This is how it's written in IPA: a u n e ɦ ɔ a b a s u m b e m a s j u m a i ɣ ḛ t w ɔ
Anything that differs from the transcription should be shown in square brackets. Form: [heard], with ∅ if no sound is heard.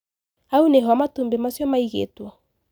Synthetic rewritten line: a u n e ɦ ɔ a [m] a [t] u m b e m a s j [ɔ] m a i ɣ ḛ t w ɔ